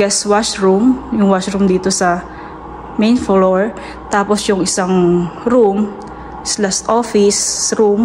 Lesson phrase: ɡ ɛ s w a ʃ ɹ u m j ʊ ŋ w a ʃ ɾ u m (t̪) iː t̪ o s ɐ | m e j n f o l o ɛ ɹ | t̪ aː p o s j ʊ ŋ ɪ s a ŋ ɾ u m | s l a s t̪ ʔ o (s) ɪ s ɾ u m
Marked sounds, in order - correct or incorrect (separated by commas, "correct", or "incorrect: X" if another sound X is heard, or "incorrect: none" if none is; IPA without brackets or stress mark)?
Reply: incorrect: d̪, incorrect: f